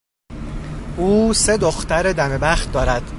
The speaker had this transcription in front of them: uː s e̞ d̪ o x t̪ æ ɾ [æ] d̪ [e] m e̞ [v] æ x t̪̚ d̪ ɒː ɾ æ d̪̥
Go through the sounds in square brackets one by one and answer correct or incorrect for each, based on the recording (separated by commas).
incorrect, incorrect, incorrect